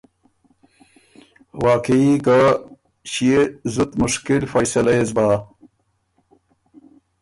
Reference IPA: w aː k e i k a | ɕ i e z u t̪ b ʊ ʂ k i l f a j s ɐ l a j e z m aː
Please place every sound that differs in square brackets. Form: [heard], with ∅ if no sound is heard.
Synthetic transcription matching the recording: w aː k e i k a | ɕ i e z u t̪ [m] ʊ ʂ k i l f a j s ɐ l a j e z [b] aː